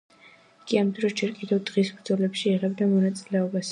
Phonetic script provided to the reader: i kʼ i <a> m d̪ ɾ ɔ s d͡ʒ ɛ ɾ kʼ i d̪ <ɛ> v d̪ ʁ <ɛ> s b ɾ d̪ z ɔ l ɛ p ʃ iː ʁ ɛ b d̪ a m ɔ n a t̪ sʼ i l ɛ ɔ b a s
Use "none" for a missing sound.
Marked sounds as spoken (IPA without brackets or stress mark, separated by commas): a, ɛ, i